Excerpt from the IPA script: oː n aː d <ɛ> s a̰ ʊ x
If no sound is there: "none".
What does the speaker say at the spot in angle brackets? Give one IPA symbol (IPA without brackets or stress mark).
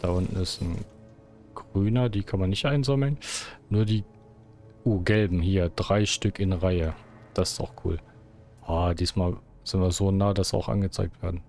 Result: a